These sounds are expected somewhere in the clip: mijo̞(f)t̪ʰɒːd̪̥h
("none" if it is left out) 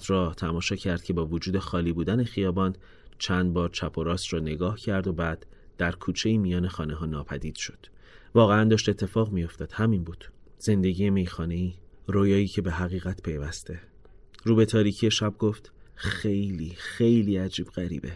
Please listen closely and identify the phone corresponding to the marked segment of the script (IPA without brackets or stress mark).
f